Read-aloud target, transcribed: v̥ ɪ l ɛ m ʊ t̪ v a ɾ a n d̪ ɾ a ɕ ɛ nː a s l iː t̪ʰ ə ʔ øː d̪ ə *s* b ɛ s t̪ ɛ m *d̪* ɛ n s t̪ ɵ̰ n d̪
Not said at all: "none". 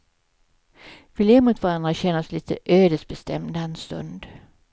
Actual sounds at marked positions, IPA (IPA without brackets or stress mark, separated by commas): s, d̪